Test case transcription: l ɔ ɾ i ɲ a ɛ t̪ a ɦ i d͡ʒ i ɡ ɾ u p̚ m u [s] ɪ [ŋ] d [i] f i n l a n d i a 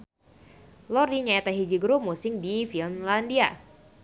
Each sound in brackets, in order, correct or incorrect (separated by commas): correct, correct, correct